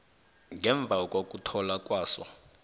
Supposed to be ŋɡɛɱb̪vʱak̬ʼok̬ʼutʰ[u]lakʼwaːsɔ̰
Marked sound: incorrect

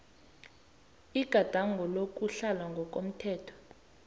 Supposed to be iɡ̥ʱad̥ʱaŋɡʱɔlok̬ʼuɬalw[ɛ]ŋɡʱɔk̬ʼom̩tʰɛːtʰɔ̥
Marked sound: incorrect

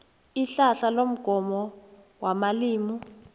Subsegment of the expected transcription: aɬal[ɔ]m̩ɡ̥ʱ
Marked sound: incorrect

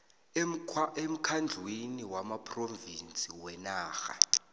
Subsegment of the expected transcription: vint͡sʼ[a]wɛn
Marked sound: incorrect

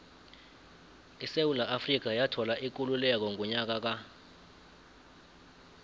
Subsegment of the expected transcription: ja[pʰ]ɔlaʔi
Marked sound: incorrect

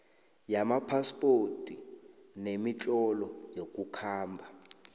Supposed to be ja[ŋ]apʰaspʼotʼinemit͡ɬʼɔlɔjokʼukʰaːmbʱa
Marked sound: incorrect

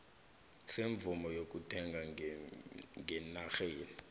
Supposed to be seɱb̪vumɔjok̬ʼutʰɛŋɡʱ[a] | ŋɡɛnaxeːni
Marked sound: correct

